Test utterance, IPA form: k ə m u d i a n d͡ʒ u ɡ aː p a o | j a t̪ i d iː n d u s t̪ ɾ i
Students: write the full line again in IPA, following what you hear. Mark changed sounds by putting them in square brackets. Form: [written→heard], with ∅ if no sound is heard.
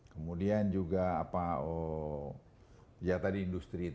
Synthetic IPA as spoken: k ə m u d i a n d͡ʒ u ɡ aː p a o | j a t̪ [i→a] d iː n d u s t̪ ɾ i